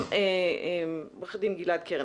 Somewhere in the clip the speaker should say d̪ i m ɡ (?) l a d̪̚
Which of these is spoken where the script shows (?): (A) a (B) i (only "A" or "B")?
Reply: B